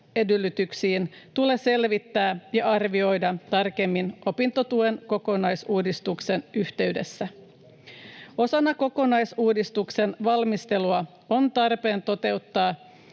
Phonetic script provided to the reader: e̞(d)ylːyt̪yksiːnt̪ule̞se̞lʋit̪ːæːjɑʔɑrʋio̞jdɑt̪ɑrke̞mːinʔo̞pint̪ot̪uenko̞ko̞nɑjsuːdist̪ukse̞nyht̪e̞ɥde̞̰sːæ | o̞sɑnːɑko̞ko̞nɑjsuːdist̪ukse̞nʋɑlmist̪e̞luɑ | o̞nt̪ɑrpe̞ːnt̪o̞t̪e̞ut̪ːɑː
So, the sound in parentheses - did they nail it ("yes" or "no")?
yes